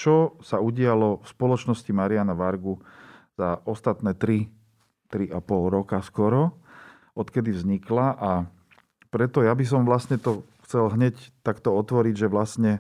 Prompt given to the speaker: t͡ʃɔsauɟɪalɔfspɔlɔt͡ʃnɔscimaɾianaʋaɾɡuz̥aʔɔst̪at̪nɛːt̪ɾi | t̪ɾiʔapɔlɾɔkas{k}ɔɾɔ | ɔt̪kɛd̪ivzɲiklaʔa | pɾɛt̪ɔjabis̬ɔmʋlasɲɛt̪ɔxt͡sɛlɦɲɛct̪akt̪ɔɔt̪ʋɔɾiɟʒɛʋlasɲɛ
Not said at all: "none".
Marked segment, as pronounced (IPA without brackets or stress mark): k